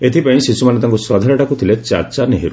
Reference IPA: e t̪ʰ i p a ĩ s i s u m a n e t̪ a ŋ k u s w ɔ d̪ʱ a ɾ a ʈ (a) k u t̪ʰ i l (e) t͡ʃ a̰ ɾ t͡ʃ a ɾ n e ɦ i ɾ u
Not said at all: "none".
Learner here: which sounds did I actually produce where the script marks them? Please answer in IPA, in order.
a, e

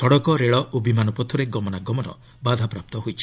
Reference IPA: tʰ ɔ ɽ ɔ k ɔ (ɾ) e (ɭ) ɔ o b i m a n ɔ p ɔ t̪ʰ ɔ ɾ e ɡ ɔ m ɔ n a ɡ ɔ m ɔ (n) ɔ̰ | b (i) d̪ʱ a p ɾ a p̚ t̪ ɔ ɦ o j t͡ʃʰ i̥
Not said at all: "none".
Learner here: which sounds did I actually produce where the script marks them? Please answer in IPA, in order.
ɾ, ɭ, n, a

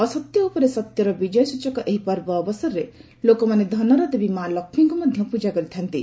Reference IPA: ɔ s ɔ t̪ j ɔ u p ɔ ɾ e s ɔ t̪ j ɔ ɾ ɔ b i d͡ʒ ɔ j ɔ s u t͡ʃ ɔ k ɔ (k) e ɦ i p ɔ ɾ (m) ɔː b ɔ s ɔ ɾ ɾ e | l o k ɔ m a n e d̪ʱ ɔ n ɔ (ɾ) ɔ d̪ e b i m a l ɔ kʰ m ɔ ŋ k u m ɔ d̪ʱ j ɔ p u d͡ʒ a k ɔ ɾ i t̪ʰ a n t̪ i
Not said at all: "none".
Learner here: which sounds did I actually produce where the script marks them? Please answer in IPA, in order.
ʔ, b, ɾ

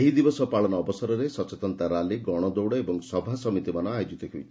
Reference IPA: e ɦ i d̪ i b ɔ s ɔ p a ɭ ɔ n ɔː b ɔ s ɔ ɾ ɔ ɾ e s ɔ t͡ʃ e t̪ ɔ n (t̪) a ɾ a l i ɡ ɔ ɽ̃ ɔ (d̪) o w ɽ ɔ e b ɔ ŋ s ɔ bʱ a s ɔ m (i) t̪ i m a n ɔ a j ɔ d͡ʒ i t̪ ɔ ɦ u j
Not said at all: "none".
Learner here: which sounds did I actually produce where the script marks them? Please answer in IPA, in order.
t̪, d̪, i

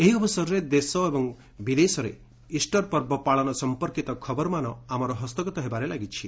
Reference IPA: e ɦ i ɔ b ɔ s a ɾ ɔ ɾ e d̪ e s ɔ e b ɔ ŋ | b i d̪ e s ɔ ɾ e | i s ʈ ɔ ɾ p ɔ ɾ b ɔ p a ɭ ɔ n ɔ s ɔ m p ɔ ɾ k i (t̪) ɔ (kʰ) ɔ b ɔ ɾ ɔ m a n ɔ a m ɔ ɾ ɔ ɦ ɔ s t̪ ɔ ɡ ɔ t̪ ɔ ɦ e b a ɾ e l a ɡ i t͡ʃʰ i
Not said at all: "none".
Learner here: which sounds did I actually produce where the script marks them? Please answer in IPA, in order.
t̪, kʰ

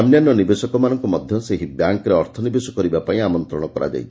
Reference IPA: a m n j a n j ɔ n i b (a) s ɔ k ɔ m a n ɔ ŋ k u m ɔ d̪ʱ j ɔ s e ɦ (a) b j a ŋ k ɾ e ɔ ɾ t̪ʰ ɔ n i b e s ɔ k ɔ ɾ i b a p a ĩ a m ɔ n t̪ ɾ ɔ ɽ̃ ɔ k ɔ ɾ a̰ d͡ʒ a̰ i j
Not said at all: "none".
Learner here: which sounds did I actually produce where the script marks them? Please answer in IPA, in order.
e, i

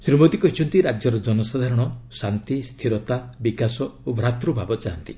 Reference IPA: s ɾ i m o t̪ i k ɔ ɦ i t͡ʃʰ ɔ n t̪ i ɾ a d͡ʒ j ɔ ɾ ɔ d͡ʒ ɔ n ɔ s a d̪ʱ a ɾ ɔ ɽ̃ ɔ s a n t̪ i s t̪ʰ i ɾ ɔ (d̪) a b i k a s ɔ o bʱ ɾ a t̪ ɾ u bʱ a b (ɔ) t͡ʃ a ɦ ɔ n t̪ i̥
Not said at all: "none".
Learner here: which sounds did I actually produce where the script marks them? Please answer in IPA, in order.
t̪, ɔ

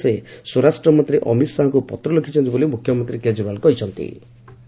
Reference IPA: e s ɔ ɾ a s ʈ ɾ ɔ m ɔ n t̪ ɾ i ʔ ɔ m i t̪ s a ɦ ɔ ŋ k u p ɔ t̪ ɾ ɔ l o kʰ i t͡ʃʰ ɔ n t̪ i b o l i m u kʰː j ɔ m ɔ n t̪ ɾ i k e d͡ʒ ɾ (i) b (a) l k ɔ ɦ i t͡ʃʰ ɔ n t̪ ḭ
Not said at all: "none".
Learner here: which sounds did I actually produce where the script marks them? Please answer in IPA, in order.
i, a

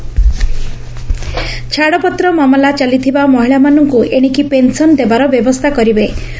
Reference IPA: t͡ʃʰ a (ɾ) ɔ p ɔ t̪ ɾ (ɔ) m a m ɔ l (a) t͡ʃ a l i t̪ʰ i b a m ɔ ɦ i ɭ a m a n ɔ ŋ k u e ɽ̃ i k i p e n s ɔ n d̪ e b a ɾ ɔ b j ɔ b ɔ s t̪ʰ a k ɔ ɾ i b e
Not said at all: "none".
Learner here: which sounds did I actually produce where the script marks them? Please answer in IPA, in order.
ɽ, ɔ, a

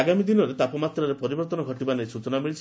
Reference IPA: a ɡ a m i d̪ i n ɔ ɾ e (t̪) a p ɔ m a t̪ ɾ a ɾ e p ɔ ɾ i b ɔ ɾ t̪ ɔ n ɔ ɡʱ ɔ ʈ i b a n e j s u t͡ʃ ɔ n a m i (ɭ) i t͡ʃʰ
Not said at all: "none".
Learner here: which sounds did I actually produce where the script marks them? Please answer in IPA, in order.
t̪, ɭ

